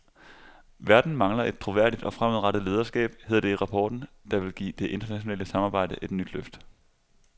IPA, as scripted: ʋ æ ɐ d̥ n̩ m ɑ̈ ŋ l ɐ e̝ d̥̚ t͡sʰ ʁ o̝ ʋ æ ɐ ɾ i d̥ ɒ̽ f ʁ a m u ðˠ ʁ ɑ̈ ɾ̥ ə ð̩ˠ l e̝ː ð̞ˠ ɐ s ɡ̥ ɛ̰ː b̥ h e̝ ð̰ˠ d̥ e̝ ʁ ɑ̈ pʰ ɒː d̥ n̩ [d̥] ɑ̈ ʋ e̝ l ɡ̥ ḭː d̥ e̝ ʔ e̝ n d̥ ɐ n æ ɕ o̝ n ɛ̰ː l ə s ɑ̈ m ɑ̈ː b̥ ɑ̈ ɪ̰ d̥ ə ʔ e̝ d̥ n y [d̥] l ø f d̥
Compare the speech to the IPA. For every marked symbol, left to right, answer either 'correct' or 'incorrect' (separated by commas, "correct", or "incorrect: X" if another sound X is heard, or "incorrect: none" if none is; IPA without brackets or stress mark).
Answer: correct, correct